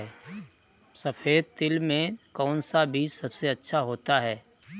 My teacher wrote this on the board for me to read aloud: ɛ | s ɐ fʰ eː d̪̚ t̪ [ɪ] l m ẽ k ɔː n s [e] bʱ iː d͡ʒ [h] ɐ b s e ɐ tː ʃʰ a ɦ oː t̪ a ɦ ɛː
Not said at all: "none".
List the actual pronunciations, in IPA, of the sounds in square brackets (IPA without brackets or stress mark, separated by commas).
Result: ɪ, a, s